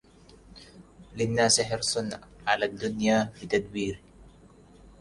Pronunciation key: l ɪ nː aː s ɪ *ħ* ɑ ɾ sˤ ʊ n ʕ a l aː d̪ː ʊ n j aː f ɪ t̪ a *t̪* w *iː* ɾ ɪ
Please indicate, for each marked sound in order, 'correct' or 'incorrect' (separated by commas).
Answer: correct, incorrect, correct